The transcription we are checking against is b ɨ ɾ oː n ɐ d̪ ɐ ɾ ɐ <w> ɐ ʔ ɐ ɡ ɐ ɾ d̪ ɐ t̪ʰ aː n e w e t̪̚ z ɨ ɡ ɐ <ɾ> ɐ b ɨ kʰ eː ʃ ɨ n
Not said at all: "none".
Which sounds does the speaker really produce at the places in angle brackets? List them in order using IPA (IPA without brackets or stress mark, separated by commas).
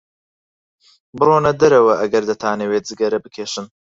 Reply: w, ɾ